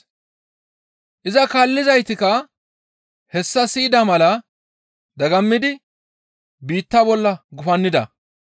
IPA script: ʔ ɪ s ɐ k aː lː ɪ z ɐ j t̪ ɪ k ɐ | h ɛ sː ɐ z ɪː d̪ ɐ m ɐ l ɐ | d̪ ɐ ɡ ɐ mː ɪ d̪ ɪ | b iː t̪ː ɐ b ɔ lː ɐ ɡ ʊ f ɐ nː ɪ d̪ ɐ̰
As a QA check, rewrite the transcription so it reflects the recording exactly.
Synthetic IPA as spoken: ʔ ɪ z ɐ k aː lː ɪ z ɐ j t̪ ɪ k ɐ | h ɛ sː ɐ s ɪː d̪ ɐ m ɐ l ɐ | d̪ ɐ ɡ ɐ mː ɪ d̪ ɪ | b iː t̪ː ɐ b ɔ lː ɐ ɡ ʊ f ɐ nː ɪ d̪ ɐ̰

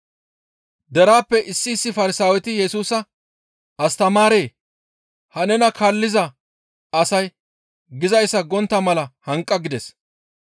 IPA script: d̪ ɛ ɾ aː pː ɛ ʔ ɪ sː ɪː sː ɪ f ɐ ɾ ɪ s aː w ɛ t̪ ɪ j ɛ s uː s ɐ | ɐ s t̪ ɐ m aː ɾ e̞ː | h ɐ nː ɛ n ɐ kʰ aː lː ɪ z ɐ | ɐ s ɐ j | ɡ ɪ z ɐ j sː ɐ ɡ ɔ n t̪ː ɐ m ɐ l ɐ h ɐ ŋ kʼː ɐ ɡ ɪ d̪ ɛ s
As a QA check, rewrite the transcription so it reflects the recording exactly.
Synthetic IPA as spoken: d̪ ɛ ɾ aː pː ɛ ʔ ɪ sː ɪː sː ɪ f ɐ ɾ ɪ s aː w ɛ t̪ ɪ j ɛ s uː s ɐ | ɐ s t̪ ɐ m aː ɾ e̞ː | h ɐ n ɛ n ɐ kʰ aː lː ɪ z ɐ | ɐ s ɐ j | ɡ ɪ z ɐ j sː ɐ ɡ ɔ n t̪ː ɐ m ɐ l ɐ h ɐ ŋ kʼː ɐ ɡ ɪ d̪ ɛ s

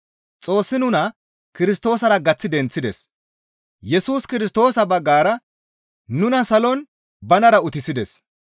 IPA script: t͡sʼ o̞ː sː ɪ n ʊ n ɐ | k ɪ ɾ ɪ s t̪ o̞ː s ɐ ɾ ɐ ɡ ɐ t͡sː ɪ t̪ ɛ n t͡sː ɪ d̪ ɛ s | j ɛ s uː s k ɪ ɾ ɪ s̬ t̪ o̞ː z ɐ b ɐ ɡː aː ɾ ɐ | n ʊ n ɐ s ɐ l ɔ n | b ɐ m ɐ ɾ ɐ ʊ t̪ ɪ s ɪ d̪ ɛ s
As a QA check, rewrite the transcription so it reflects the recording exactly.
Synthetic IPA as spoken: t͡sʼ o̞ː sː ɪ n ʊ n ɐ | k ɪ ɾ ɪ s t̪ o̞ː s ɐ ɾ ɐ ɡ ɐ t͡sː ɪ d̪ ɛ n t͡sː ɪ d̪ ɛ s | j ɛ s uː s k ɪ ɾ ɪ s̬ t̪ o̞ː s ɐ b ɐ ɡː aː ɾ ɐ | n ʊ n ɐ s ɐ l ɔ n | b ɐ n ɐ ɾ ɐ ʊ t̪ ɪ s ɪ d̪ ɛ s

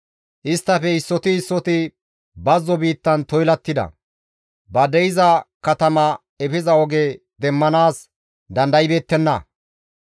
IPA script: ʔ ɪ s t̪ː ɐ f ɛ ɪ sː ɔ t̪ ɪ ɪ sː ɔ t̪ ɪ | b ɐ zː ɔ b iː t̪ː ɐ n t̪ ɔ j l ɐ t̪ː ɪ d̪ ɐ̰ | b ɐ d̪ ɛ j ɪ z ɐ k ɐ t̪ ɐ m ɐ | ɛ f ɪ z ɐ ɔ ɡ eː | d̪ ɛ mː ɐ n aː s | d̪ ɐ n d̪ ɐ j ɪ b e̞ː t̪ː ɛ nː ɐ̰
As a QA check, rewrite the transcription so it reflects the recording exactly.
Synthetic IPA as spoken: ʔ ɪ s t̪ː ɐ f ɛ ɪ sː ɔ t̪ ɪ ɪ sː ɔ t̪ ɪ | b ɐ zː ɔ b iː t̪ː ɐ n t̪ ɔ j l ɐ t̪ː ɪ d̪ ɐ̰ | b ɐ d̪ ɛ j ɪ z ɐ k ɐ t̪ ɐ m ɐ | ɛ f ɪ z ɐ ɔ ɡ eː | d̪ ɛ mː ɐ n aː s | d̪ ɐ n d̪ ɐ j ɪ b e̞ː t̪ː ɛ nː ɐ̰

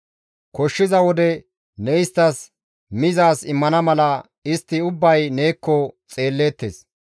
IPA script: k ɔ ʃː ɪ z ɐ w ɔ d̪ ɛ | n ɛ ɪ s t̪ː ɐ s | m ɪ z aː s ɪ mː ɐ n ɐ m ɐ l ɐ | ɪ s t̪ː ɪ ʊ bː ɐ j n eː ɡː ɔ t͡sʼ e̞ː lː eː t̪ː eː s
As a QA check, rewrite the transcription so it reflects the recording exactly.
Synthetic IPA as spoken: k ɔ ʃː ɪ z ɐ w ɔ d̪ ɛ | n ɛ ɪ s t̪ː ɐ s | m ɪ z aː s ɪ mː ɐ n ɐ m ɐ l ɐ | ɪ s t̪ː ɪ ʊ bː ɐ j n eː kː ɔ t͡sʼ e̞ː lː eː t̪ː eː s

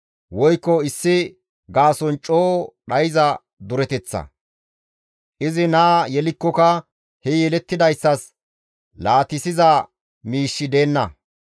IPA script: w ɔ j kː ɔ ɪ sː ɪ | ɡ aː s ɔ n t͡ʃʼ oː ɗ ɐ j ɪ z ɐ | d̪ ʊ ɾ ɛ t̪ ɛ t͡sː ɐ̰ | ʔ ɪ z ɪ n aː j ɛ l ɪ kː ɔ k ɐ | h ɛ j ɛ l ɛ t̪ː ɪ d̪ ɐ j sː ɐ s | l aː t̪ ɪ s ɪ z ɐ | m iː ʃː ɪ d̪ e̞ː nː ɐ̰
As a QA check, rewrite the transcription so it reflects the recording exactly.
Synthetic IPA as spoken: w ɔ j kː ɔ ɪ sː ɪ | ɡ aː s ɔ n t͡ʃʼ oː ɗ ɐ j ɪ z ɐ | d̪ ʊ ɾ ɛ t̪ ɛ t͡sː ɐ̰ | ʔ ɪ z ɪ n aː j ɛ l ɪ kː ɔ k ɐ | h ɛ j ɛ l ɛ t̪ː ɪ d̪ ɐ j sː ɐ s | l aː t̪ ɪ s ɪ z ɐ | m iː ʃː ɪ d̪ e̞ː nː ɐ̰

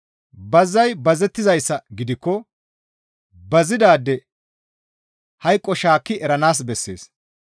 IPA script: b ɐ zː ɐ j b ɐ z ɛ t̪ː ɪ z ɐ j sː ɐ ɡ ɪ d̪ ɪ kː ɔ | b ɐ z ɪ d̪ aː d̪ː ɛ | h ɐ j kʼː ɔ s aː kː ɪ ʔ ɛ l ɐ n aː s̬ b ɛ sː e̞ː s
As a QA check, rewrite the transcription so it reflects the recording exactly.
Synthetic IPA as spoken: b ɐ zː ɐ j b ɐ z ɛ t̪ː ɪ z ɐ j sː ɐ ɡ ɪ d̪ ɪ kː ɔ | b ɐ z ɪ d̪ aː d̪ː ɛ | h ɐ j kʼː ɔ ʃ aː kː ɪ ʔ ɛ ɾ ɐ n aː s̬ b ɛ sː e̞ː s

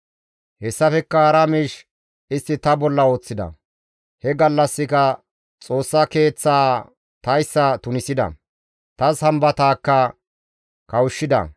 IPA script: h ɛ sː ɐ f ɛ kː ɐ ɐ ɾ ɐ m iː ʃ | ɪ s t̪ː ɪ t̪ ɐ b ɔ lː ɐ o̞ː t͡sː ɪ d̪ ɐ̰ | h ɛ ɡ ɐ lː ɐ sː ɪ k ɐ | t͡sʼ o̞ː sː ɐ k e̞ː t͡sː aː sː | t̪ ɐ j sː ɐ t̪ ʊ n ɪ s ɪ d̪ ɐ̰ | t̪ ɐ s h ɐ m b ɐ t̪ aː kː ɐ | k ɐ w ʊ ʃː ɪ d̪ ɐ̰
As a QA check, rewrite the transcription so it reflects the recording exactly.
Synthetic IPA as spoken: h ɛ sː ɐ f ɛ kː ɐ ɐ ɾ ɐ m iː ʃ | ɪ s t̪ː ɪ t̪ ɐ b ɔ lː ɐ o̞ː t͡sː ɪ d̪ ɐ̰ | h ɛ ɡ ɐ lː ɐ sː ɪ k ɐ | t͡sʼ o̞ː sː ɐ k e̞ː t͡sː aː | t̪ ɐ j sː ɐ t̪ ʊ n ɪ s ɪ d̪ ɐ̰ | t̪ ɐ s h ɐ m b ɐ t̪ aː kː ɐ | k ɐ w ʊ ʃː ɪ d̪ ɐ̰

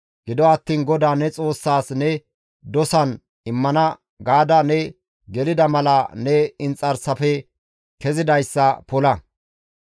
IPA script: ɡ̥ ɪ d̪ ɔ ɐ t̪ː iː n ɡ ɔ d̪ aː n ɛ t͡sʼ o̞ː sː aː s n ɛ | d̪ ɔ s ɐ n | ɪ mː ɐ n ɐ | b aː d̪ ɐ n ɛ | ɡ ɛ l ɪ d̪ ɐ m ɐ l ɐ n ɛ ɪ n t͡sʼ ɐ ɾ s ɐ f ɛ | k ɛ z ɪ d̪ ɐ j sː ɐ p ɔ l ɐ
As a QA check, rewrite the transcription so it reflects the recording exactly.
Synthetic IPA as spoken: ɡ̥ ɪ d̪ ɔ ɐ t̪ː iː n ɡ ɔ d̪ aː n ɛ t͡sʼ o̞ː sː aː s n ɛ | d̪ ɔ s ɐ n | ɪ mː ɐ n ɐ | ɡ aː d̪ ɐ n ɛ | ɡ ɛ l ɪ d̪ ɐ m ɐ l ɐ n ɛ ɪ n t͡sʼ ɐ ɾ s ɐ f ɛ | k ɛ z ɪ d̪ ɐ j sː ɐ p ɔ l ɐ

